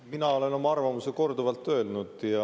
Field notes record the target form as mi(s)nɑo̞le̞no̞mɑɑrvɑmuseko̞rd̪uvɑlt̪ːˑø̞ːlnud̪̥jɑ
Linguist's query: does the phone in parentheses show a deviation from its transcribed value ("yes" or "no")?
yes